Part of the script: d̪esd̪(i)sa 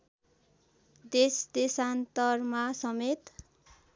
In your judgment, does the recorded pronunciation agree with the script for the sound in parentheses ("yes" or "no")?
no